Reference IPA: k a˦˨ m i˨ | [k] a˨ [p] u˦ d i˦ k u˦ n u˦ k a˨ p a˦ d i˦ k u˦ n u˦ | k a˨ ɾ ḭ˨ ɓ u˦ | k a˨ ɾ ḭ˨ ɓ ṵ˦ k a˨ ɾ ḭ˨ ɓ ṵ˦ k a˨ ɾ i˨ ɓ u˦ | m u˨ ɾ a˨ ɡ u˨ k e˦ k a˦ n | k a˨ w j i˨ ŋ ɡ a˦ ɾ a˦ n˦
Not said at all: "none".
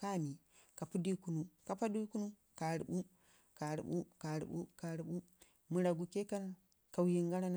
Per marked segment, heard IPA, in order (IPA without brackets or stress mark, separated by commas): k, p